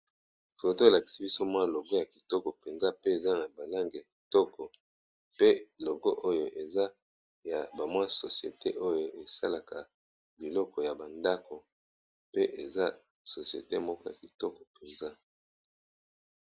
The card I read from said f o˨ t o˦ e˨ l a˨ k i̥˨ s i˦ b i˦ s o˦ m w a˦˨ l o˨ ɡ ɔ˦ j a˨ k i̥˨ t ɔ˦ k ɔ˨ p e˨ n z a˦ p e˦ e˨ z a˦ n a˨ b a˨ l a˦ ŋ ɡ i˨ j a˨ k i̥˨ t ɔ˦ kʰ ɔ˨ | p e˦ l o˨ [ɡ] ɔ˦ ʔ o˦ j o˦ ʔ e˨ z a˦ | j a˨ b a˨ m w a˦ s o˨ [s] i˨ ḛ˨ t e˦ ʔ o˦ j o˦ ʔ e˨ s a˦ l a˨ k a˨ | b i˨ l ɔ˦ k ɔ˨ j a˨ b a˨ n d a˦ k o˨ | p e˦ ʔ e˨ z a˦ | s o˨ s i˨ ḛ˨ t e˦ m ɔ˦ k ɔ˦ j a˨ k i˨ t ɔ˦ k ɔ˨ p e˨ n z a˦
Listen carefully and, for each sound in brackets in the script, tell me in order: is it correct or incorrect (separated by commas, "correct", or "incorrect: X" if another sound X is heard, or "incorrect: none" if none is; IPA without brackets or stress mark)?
correct, correct